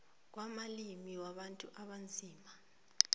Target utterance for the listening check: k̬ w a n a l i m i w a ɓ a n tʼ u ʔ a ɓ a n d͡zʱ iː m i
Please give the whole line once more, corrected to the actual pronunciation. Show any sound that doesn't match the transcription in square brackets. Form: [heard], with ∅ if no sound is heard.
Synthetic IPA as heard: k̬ w a [m] a l i m i w a ɓ a n tʼ u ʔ a ɓ a n d͡zʱ iː m [a]